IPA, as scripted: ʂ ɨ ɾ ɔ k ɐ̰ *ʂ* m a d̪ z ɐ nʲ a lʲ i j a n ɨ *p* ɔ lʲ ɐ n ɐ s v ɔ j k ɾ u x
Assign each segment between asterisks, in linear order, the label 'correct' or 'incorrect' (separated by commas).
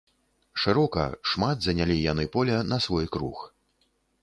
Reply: correct, correct